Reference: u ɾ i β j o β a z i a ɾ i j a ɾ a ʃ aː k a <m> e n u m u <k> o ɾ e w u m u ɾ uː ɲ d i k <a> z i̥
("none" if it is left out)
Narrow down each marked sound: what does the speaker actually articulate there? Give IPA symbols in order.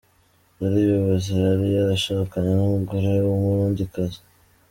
ɲ, ɡ, a

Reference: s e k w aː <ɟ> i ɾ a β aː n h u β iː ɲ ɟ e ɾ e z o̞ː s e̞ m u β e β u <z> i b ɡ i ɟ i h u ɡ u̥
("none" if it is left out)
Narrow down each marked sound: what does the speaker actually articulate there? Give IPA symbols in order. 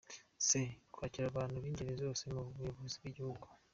c, z

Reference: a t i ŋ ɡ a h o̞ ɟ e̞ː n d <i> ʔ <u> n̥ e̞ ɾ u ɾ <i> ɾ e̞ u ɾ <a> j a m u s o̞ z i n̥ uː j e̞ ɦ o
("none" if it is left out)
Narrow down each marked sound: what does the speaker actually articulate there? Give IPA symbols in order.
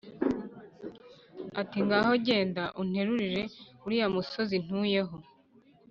a, u, i, i

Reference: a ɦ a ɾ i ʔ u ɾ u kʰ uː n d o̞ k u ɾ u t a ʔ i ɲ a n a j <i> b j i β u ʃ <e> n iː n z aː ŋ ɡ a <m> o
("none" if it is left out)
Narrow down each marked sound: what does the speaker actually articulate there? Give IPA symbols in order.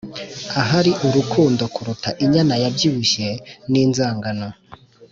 a, e, n

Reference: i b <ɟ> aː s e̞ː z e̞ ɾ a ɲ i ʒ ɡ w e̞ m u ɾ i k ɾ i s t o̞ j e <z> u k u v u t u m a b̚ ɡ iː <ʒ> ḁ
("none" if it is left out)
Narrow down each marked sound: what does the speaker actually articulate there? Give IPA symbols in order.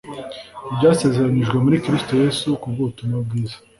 ɟ, s, z

